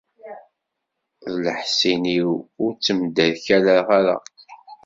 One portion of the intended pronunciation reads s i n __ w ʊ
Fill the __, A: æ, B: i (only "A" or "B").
B